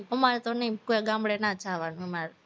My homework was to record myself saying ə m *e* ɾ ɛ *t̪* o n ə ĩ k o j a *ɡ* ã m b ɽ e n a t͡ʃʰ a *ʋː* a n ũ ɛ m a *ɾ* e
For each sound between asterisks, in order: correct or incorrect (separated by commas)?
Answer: incorrect, correct, correct, incorrect, correct